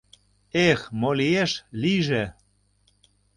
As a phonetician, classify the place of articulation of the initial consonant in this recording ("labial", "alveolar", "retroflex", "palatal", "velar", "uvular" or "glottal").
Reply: velar